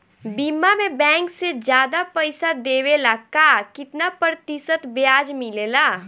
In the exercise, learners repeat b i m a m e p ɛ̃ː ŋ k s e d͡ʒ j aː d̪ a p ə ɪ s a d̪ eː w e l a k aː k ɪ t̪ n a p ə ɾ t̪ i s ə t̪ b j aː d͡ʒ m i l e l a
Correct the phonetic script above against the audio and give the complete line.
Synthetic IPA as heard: b i m a m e b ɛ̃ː ŋ k s e d͡ʒ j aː d̪ a p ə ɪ s a d̪ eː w e l a k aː k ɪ t̪ n a p ə ɾ t̪ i s ə t̪ b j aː d͡ʒ m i l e l a

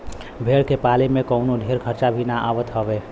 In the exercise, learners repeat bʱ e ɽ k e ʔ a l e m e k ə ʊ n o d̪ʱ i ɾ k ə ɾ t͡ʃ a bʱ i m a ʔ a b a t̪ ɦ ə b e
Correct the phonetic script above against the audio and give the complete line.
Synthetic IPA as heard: bʱ e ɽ k e p a l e m e k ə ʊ n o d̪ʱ e ɾ kʰ ə ɾ t͡ʃ a bʱ i n a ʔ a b ə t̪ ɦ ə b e

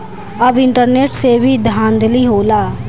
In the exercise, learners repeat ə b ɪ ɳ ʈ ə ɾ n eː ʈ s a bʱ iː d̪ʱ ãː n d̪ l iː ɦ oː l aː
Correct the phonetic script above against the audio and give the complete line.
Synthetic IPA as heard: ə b ɪ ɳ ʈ ə ɾ n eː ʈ s e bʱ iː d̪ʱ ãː n d̪ l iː ɦ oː l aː

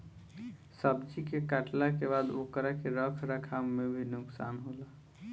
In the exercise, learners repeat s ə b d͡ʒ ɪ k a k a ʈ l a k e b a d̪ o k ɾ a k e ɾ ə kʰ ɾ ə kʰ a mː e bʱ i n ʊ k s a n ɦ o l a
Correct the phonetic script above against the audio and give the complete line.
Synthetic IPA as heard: s ə b d͡ʒ i k e k a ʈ l a k e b a d̪ o k ɾ a k e ɾ ə kʰ ɾ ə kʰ a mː e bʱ i n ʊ k s a n ɦ o l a

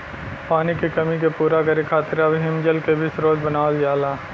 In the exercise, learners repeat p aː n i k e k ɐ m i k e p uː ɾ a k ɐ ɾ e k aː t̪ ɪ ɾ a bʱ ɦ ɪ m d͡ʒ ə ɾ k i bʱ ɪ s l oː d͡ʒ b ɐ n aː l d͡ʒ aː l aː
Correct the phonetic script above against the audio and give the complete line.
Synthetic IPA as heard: p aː n i k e k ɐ m i k e p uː ɾ a k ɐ ɾ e kʰ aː t̪ ɪ ɾ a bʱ ɦ ɪ m d͡ʒ ə l k e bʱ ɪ s ɾ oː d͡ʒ b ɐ n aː l d͡ʒ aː l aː

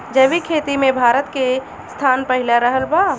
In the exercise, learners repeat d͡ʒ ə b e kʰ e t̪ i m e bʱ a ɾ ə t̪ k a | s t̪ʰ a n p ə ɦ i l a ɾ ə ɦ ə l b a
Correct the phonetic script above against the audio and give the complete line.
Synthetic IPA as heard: d͡ʒ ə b i kʰ e t̪ i m e bʱ a ɾ ə t̪ k e | s t̪ʰ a n p ə ɦ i l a ɾ ə ɦ ə l b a

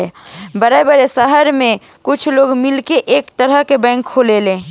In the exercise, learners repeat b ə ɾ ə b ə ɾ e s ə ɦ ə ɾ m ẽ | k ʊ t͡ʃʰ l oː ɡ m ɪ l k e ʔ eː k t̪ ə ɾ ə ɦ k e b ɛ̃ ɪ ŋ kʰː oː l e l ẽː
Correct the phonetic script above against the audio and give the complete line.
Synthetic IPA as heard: b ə ɾ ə b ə ɾ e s ə ɦ ə ɾ m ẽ | k ʊ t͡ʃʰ l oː ɡ m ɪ l k e ʔ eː k t̪ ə ɾ ə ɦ k e b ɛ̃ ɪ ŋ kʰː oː l e l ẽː

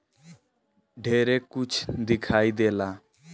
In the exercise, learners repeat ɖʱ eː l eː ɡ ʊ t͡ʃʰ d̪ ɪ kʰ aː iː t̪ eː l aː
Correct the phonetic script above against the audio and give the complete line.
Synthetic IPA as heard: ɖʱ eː ɾ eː k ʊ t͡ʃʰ d̪ ɪ kʰ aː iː d̪ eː l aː

